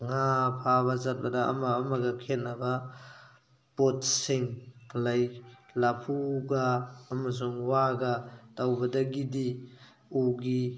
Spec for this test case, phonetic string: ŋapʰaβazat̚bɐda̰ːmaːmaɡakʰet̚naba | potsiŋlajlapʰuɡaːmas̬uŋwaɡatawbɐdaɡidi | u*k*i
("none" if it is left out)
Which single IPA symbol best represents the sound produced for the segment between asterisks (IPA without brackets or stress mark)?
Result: ɡ